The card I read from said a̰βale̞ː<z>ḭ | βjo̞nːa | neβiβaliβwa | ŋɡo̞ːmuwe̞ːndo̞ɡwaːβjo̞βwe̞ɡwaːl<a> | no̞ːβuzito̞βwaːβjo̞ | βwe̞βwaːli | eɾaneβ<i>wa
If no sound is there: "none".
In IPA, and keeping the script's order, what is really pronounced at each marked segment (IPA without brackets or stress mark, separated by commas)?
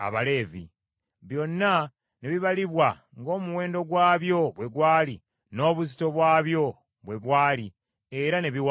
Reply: v, i, i